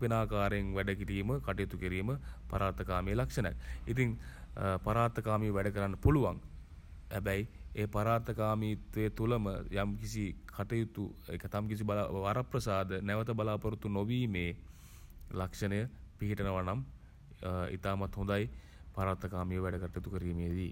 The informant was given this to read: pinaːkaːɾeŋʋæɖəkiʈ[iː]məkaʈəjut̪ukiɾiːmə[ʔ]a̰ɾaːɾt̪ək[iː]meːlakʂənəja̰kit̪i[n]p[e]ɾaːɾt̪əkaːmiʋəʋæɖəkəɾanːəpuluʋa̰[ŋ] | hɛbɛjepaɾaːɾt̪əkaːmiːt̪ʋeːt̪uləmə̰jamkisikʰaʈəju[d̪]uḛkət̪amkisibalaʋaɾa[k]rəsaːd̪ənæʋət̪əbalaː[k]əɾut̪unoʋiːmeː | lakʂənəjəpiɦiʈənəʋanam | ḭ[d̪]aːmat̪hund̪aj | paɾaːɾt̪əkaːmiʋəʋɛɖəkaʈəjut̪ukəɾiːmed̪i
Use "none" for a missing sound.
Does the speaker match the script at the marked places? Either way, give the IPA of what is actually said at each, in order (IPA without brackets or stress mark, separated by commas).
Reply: iː, p, aː, ŋ, a, ŋ, t̪, p, p, t̪